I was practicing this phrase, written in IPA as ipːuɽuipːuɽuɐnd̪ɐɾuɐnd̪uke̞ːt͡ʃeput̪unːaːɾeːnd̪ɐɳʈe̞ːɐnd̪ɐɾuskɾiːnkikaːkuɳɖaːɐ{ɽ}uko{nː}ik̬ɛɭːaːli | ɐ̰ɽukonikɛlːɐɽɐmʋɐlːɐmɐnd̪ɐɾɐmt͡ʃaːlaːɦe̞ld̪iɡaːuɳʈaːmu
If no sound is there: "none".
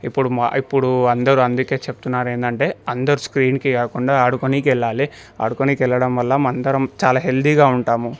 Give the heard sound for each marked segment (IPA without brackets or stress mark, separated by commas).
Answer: ɽ, n